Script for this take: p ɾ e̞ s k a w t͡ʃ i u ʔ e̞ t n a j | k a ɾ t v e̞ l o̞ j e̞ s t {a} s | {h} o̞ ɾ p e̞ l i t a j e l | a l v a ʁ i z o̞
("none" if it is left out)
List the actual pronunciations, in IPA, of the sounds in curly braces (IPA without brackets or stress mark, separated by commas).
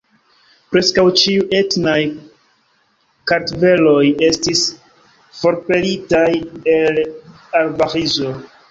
i, f